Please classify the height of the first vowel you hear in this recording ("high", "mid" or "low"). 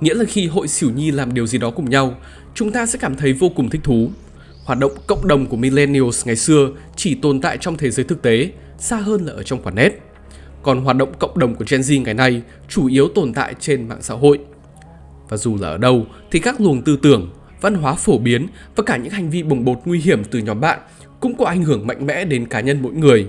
high